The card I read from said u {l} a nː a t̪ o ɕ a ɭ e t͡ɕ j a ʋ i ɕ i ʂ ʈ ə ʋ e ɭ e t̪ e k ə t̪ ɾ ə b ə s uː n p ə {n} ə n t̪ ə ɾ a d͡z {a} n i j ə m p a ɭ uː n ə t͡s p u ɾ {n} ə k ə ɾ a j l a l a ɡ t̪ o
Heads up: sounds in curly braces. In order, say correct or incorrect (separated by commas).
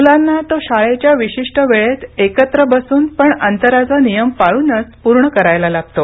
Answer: correct, incorrect, correct, incorrect